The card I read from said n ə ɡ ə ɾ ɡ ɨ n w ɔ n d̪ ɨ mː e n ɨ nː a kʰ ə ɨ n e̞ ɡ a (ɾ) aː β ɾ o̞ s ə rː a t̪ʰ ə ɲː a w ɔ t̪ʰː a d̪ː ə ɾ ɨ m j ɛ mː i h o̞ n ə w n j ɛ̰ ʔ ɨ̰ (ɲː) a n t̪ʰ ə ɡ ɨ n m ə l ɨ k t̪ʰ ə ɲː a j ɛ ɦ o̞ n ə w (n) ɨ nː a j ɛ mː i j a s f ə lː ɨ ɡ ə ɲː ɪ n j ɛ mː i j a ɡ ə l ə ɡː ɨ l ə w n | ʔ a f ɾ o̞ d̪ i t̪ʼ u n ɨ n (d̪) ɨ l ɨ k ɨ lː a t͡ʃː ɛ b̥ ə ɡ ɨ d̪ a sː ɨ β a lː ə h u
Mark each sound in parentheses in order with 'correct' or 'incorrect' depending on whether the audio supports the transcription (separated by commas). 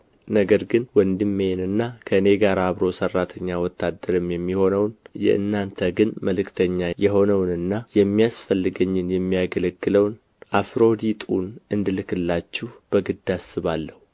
correct, incorrect, correct, correct